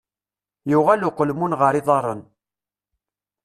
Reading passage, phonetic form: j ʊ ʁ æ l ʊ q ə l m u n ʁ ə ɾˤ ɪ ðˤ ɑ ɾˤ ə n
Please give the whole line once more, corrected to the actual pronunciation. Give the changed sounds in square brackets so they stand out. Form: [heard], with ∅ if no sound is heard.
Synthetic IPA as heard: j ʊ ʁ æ l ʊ q ə l m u n ʁ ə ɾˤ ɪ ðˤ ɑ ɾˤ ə n